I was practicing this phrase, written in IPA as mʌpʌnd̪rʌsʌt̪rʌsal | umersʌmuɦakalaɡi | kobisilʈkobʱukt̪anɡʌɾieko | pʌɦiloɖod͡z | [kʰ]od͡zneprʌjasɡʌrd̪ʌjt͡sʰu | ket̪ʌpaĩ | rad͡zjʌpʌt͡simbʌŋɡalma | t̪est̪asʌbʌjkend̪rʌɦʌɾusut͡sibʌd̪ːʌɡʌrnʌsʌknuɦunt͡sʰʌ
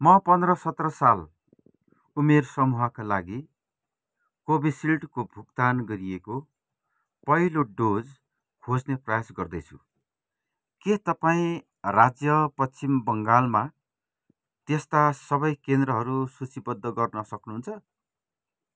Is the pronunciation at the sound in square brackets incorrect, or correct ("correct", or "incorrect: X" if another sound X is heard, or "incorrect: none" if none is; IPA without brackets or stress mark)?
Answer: correct